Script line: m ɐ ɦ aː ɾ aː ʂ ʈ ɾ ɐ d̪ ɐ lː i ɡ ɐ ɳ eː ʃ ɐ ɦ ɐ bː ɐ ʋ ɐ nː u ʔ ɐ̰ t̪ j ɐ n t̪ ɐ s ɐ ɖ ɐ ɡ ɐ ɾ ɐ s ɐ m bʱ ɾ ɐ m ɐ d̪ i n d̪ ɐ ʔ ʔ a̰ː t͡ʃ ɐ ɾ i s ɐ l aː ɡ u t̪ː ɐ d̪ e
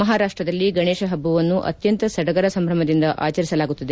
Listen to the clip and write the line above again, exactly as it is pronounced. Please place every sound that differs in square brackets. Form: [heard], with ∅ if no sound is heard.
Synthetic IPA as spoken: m ɐ ɦ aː ɾ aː ʂ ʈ ɾ ɐ d̪ ɐ lː i ɡ ɐ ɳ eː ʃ ɐ ɦ ɐ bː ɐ ʋ ɐ nː u ʔ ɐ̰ t̪ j ɐ n t̪ ɐ s ɐ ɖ ɐ ɡ ɐ ɾ ɐ s ɐ m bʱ ɾ ɐ m ɐ d̪ i n d̪ ɐ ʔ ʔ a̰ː t͡ʃ ɐ ɾ i s ɐ l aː ɡ u t̪ː ɐ d̪ e